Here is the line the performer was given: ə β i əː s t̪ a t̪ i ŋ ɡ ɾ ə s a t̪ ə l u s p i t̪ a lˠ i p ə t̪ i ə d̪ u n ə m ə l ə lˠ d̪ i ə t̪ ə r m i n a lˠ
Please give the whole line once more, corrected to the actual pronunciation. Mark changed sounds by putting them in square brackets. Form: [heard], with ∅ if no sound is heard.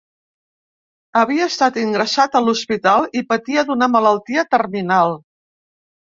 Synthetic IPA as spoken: ə β i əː s t̪ a t̪ i ŋ ɡ ɾ ə s a t̪ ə l u s p i t̪ a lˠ i p ə t̪ i ə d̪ u n ə m ə l ə lˠ [t̪] i ə t̪ ə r m i n a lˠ